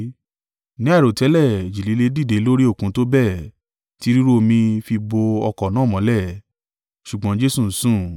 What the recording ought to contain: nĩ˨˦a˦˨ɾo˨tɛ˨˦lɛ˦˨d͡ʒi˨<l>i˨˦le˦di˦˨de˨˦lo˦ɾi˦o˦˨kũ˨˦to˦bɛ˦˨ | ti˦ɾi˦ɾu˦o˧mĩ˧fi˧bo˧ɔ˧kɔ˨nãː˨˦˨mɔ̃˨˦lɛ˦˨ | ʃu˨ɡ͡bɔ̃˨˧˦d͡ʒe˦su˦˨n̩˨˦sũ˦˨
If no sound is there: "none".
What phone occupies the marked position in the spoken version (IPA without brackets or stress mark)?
l